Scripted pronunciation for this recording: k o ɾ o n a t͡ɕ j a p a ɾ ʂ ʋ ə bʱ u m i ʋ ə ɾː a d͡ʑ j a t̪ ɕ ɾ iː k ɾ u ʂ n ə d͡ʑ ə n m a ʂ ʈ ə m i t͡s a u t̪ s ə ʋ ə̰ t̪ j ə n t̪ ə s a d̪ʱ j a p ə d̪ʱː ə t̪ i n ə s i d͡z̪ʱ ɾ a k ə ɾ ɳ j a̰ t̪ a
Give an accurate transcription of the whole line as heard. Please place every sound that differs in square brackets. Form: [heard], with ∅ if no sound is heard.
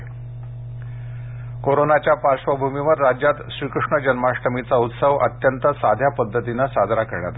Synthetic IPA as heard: k o ɾ o n a t͡ɕ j a p a ɾ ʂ ʋ ə bʱ u m i ʋ ə ɾː a d͡ʑ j a t̪ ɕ ɾ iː k ɾ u ʂ [ɳ] ə d͡ʑ ə n m a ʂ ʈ ə m i t͡s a u t̪ s ə ʋ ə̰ t̪ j ə n t̪ ə s a d̪ʱ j a p ə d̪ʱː ə t̪ i n ə s [a] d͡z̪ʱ ɾ a k ə ɾ ɳ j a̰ t̪ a